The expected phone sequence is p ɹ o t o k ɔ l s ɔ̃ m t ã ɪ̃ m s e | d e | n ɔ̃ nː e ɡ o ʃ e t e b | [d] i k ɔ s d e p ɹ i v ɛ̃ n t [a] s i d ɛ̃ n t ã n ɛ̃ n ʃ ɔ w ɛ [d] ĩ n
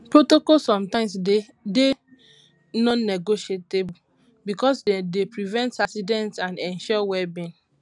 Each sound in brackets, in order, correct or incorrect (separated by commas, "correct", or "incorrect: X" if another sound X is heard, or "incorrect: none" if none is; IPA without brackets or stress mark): incorrect: b, correct, incorrect: b